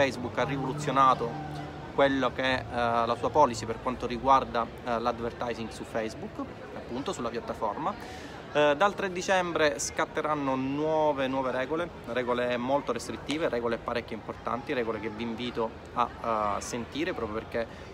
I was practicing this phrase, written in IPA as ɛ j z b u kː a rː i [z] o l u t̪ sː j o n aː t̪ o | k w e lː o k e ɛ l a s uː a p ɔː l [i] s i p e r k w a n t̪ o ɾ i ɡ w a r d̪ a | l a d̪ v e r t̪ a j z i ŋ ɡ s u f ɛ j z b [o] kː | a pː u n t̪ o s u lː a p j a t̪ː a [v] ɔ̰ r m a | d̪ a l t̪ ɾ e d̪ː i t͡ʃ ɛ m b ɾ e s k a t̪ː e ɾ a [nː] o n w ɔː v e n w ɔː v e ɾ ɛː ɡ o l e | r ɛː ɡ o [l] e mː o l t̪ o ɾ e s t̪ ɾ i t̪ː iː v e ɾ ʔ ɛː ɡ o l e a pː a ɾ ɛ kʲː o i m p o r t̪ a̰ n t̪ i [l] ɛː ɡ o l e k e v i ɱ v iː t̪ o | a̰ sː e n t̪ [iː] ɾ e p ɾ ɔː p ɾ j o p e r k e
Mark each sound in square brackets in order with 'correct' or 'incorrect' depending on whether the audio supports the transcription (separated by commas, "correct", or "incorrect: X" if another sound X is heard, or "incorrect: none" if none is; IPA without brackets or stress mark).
incorrect: v, correct, incorrect: u, incorrect: f, correct, correct, incorrect: ɾ, correct